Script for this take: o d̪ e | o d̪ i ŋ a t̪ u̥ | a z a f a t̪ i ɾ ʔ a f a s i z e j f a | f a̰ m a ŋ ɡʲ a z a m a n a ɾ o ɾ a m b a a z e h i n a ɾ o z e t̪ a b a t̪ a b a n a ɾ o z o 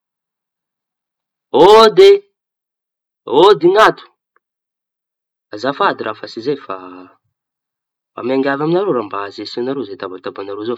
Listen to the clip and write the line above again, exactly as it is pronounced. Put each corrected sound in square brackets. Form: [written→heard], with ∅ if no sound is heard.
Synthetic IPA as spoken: o d̪ e | o d̪ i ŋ a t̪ u̥ | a z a f a [t̪→d̪] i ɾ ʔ a f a s i z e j f a | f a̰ m a ŋ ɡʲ a [z→v] a m [a→i] n a ɾ o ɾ a m b a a z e [h→s] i n a ɾ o z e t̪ a b a t̪ a b a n a ɾ o z o

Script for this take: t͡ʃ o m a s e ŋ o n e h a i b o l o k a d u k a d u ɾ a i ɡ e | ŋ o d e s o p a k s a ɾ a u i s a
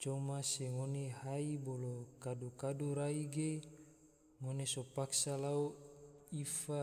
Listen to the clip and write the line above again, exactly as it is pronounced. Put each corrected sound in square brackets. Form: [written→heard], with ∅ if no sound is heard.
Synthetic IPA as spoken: t͡ʃ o m a s e ŋ o n e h a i b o l o k a d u k a d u ɾ a i ɡ e | ŋ o [d→n] e s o p a k s a [ɾ→l] a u i [s→f] a

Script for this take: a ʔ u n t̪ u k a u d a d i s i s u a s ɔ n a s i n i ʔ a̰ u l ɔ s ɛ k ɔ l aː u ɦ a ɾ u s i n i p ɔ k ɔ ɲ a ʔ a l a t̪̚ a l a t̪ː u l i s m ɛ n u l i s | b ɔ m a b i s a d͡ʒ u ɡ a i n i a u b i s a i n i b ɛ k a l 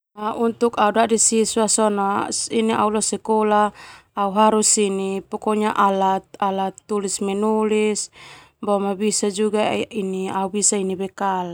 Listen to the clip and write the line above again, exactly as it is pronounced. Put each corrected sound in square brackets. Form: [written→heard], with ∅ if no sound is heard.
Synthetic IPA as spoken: a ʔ u n t̪ u k a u d a d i s i s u a s ɔ n a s i n i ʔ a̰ u l ɔ s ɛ k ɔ l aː u ɦ a ɾ u s i n i p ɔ k ɔ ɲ a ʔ a l a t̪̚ a l a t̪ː u l i s m ɛ n u l i s | b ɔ m a b i s a d͡ʒ u ɡ a i n i a u b i s a i n i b ɛ k a l

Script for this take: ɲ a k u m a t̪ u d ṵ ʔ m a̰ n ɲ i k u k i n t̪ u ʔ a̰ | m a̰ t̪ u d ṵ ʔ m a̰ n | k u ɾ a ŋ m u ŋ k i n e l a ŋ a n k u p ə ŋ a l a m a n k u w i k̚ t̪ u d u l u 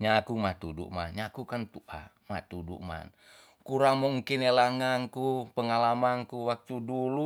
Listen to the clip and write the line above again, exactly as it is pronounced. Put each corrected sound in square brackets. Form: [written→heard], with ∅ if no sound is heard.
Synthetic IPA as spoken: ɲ a k u m a t̪ u d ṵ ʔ m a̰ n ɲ [i→a] k u k [i→a] n t̪ u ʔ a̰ | m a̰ t̪ u d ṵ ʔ m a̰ n | k u ɾ a ŋ m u ŋ k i n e l a ŋ a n k u p ə ŋ a l a m a n k u w [i→a] k̚ t̪ u d u l u

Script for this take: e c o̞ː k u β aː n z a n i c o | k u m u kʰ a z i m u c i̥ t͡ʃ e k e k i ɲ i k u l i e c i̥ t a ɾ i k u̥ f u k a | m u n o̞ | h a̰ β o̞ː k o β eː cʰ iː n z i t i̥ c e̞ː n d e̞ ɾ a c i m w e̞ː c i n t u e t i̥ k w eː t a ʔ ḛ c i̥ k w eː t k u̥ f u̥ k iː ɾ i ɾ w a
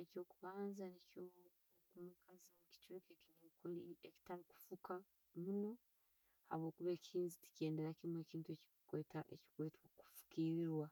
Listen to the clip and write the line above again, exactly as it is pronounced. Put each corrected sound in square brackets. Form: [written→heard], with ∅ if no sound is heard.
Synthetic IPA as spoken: e c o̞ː k u β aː n z a n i c o | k u m u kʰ a z i m u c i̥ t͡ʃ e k e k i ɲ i k u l i e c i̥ t a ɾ i k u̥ f u k a | m u n o̞ | h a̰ β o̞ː k [o→u] β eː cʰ iː n z i t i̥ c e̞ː n d e̞ ɾ a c i m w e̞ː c [i→iː] n t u e [t→c] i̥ k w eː t a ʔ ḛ c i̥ k w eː t k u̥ f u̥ k iː ɾ i ɾ w a

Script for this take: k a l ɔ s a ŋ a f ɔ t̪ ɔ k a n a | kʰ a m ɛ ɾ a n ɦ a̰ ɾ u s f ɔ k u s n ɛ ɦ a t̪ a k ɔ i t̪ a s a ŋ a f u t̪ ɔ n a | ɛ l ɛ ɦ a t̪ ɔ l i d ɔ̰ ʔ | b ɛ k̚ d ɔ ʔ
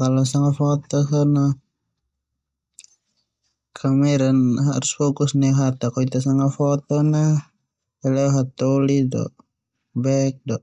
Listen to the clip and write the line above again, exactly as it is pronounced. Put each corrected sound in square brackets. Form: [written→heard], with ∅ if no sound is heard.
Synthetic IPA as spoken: k a l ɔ s a ŋ a f ɔ t̪ ɔ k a n a | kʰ a m ɛ ɾ a n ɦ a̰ ɾ u s f ɔ k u s n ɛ ɦ a t̪ a k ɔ i t̪ a s a ŋ a f [u→ɔ] t̪ ɔ n a | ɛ l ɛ ɦ a t̪ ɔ l i d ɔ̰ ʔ | b ɛ k̚ d ɔ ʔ

